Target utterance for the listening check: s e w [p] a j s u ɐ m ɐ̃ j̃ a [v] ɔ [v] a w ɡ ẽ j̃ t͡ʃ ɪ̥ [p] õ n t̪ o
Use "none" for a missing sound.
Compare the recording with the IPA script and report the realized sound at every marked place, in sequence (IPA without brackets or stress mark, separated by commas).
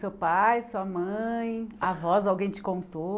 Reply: p, v, z, k